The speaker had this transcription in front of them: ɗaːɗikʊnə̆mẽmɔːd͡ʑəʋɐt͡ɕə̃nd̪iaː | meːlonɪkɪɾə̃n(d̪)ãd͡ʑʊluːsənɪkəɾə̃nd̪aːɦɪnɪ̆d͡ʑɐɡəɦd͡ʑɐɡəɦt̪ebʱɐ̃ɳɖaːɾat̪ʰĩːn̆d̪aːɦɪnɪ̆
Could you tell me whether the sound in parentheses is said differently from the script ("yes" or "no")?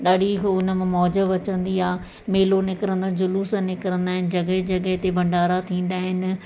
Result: no